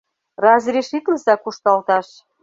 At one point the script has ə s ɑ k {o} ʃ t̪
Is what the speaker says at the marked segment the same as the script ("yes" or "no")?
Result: no